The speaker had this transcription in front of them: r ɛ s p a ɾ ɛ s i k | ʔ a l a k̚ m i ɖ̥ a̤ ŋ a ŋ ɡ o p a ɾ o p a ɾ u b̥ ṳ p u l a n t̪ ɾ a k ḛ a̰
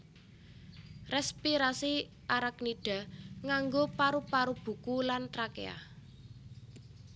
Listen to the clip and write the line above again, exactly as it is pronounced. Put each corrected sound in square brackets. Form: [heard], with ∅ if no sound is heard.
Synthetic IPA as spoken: r ɛ s p [i] ɾ [a] s i [∅] | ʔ a [ɾ] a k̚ [n] i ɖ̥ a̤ ŋ a ŋ ɡ o p a ɾ [u] p a ɾ u b̥ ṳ [k] u l a n t̪ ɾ a k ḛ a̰